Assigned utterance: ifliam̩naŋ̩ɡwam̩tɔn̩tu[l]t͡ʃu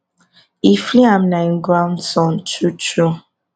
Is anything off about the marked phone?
yes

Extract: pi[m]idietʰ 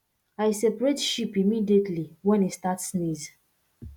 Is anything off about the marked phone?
no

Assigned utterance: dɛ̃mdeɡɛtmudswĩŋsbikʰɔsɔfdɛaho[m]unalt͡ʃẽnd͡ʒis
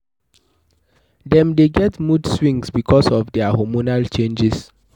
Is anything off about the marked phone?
no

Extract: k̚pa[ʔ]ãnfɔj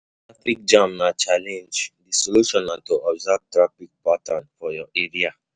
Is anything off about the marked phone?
yes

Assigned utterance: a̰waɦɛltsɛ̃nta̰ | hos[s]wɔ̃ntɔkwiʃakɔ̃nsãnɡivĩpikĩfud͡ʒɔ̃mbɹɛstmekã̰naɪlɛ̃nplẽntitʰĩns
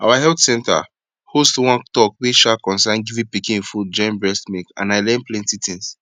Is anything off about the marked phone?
yes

